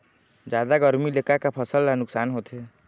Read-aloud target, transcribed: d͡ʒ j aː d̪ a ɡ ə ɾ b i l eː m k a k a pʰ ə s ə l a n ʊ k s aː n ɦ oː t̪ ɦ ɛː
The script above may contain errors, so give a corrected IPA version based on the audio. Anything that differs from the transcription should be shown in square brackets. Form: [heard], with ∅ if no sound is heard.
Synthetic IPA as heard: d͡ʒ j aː d̪ a ɡ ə ɾ [m] i l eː [∅] k a k a pʰ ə s ə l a n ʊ k s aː n ɦ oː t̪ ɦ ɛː